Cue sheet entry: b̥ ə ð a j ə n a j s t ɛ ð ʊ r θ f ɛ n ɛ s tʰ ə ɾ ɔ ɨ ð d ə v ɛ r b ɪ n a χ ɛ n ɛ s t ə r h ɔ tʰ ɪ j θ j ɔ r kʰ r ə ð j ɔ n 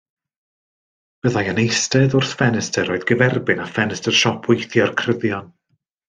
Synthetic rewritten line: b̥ ə ð a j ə n e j s t ɛ ð ʊ r θ f ɛ n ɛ s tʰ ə ɾ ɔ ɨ ð ɡ ə v ɛ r b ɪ n a f ɛ n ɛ s t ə r ʃ ɔ pʰ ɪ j θ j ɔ r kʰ r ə ð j ɔ n